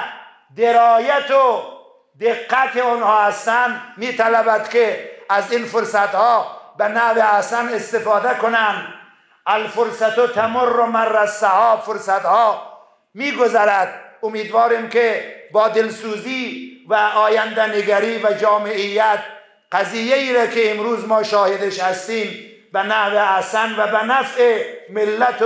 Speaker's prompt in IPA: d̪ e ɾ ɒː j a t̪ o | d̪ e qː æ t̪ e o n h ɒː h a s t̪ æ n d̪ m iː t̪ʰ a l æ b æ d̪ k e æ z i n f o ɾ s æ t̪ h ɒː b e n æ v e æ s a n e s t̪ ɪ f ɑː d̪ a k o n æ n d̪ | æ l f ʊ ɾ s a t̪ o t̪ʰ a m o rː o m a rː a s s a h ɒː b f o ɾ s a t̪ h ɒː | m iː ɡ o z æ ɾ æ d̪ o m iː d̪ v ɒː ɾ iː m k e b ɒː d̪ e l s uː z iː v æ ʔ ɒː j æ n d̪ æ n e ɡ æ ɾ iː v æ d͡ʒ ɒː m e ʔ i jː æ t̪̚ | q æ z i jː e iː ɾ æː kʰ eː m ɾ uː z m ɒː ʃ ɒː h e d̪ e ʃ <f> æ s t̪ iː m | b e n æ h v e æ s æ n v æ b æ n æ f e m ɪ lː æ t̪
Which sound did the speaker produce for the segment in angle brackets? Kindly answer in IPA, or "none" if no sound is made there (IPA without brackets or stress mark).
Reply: h